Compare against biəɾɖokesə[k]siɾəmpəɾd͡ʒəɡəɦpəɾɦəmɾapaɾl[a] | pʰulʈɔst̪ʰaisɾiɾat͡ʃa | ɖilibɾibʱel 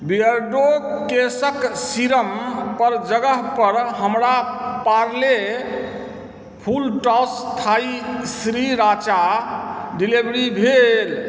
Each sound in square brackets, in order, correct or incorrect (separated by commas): correct, incorrect